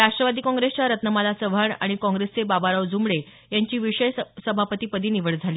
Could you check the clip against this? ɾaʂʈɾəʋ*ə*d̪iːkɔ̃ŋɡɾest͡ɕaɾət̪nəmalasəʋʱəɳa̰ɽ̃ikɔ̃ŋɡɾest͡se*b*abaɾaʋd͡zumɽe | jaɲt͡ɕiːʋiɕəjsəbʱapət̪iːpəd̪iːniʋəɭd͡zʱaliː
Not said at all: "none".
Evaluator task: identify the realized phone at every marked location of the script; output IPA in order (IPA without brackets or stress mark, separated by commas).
a, b